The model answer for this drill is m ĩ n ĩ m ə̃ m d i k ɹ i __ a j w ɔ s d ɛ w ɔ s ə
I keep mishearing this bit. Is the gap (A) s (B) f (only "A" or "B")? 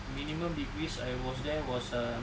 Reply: A